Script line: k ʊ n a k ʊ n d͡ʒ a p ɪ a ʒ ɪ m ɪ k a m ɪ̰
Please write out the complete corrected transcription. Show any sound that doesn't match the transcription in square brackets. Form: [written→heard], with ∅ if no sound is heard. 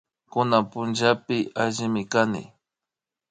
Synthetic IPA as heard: k ʊ n a [k→p] ʊ n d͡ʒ a p ɪ a ʒ ɪ m ɪ k a [m→n] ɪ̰

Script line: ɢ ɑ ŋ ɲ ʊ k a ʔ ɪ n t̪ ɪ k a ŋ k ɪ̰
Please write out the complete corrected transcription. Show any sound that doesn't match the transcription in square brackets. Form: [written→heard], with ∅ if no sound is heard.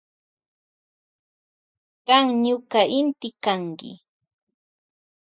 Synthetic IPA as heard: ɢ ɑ ŋ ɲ ʊ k a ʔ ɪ n t̪ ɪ k a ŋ k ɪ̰

